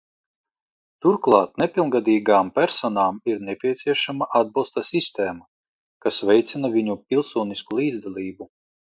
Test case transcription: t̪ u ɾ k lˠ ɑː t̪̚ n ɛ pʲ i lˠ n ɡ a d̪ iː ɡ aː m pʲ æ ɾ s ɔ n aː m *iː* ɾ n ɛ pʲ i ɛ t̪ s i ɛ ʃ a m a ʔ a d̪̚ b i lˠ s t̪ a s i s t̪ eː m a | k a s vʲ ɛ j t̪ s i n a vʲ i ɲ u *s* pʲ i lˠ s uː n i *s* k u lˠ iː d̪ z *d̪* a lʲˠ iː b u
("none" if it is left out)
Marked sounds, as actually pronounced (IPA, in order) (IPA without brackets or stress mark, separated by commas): i, none, s, d̪